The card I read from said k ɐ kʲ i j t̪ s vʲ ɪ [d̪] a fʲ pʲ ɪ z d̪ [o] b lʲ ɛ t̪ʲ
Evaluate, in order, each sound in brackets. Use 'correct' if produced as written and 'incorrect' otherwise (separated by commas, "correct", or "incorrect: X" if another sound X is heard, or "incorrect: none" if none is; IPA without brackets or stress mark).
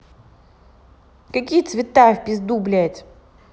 incorrect: t̪, incorrect: u